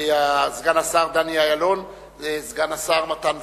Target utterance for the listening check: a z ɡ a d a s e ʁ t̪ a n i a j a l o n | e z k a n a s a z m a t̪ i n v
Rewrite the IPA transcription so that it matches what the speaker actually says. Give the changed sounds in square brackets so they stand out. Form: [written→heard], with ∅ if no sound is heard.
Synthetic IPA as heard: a z ɡ a [d→n] a s [e→a] ʁ [t̪→d̪] a n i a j a l o n | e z [k→ɡ] a n a s a [z→ʁ] m a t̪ [i→a] n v